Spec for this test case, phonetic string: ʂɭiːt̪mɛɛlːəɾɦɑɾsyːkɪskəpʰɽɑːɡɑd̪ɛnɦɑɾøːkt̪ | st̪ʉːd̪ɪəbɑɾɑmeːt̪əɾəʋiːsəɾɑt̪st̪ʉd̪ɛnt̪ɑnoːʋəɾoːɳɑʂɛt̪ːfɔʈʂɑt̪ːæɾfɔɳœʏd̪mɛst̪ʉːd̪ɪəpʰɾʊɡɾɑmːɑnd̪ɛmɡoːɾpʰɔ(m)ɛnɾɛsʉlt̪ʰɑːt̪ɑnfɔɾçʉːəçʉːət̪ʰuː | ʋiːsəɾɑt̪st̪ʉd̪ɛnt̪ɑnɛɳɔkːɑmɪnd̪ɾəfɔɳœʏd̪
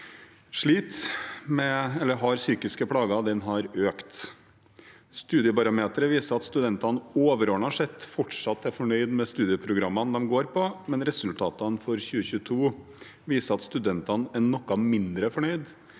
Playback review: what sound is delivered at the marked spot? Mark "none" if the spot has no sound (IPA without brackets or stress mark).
m